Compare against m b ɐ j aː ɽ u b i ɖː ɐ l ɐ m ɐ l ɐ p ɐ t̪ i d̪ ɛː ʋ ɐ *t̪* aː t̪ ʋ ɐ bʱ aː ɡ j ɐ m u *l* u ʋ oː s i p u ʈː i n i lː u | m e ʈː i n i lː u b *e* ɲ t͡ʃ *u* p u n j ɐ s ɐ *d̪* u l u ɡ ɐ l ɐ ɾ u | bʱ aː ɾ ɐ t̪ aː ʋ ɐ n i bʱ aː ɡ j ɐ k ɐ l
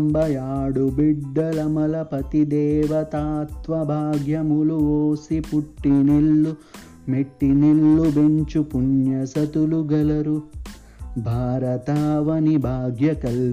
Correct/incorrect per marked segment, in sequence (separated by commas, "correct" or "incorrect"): correct, correct, correct, correct, incorrect